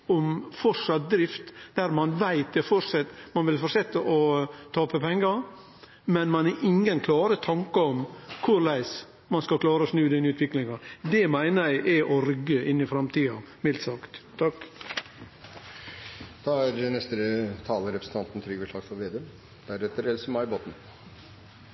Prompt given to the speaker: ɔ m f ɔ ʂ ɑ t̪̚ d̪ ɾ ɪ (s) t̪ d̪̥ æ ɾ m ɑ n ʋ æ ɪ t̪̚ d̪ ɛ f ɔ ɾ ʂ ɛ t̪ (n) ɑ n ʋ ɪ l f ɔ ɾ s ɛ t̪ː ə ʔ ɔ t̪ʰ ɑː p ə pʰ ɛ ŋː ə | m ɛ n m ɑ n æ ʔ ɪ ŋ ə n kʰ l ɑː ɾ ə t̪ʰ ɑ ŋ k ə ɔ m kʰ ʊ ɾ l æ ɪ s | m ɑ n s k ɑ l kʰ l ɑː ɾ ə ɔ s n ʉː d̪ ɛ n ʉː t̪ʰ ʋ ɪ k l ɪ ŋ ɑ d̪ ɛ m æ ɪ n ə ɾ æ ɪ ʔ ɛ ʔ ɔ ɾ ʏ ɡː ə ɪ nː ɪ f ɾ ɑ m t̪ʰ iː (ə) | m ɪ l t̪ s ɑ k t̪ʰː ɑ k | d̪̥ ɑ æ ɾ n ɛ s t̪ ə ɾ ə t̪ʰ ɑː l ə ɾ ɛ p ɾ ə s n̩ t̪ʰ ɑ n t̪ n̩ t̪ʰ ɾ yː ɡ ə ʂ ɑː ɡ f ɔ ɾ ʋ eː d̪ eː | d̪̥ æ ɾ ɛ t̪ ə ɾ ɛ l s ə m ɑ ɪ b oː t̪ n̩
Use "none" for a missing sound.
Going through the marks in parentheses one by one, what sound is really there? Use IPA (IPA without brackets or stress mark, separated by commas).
f, m, ɑ